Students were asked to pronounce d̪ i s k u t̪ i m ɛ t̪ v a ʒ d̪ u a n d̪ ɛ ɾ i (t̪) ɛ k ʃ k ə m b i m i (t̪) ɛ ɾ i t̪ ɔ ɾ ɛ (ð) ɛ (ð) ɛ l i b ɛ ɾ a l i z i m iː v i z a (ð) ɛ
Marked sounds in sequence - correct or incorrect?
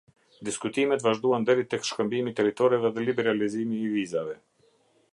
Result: correct, correct, incorrect: v, correct, incorrect: v

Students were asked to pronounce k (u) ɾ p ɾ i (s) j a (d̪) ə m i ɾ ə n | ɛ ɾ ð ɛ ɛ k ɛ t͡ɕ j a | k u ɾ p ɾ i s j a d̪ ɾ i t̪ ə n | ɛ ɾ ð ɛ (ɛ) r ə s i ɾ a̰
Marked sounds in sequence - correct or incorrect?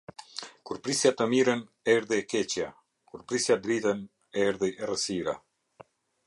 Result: correct, correct, incorrect: t̪, correct

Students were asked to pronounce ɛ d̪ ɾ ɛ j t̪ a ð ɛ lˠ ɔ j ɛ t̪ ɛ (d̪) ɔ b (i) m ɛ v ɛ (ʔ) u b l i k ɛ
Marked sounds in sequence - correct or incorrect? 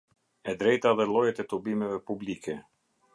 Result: incorrect: t̪, correct, incorrect: p

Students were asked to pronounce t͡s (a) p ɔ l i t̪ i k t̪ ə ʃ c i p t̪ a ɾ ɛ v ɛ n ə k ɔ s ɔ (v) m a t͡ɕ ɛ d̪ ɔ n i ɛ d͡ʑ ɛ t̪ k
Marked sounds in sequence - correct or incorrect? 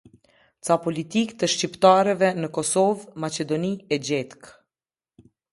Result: correct, correct

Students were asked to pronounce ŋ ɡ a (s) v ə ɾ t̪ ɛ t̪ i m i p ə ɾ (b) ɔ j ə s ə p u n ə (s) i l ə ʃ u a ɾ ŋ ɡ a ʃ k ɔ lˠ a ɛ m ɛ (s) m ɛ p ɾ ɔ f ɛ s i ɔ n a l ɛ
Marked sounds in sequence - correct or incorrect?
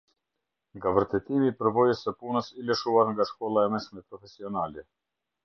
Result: incorrect: none, incorrect: v, correct, incorrect: ʃ

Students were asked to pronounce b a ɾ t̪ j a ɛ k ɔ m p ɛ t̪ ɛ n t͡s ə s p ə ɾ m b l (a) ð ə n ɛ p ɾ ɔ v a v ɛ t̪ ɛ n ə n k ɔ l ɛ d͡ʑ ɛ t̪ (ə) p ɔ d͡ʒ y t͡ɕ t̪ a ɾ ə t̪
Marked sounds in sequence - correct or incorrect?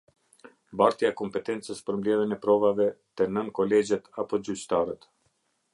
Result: incorrect: ɛ, incorrect: a

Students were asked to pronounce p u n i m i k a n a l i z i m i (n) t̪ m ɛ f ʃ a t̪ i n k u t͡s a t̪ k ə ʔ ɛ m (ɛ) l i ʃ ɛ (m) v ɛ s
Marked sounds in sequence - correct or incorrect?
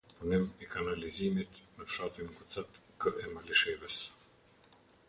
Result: incorrect: none, incorrect: a, incorrect: none

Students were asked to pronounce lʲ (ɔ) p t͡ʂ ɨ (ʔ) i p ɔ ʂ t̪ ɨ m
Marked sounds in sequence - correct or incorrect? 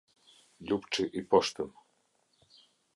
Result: incorrect: u, correct

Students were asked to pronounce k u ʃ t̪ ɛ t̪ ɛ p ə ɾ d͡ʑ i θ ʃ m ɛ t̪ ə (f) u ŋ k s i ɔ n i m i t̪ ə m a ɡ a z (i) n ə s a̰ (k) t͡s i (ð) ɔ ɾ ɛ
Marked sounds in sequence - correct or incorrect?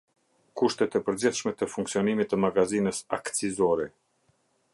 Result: correct, correct, correct, incorrect: z

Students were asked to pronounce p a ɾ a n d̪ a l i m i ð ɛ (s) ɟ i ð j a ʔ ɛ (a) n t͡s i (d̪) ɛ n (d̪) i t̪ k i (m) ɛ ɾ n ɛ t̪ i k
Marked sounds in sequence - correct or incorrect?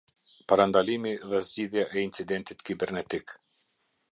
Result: incorrect: z, incorrect: i, correct, incorrect: t̪, incorrect: b

